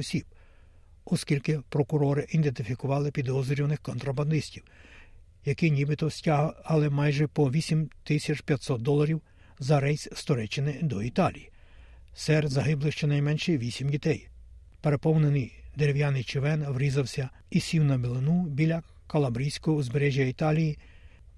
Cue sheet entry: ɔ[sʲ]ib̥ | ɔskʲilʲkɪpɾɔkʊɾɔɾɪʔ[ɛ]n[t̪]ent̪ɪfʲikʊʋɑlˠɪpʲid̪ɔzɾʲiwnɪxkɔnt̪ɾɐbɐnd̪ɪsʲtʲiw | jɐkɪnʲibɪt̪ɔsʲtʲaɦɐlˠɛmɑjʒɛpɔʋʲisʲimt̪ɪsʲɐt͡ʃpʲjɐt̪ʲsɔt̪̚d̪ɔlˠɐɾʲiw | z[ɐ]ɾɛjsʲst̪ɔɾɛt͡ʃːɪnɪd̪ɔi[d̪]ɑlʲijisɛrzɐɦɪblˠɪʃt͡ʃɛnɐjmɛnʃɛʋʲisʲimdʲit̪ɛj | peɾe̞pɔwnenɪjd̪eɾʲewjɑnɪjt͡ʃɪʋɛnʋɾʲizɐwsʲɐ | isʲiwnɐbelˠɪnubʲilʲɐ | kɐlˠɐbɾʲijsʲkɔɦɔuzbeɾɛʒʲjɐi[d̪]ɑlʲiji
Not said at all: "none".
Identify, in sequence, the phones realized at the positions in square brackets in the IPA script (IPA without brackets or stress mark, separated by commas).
sʲ, i, d̪, ɐ, t̪, t̪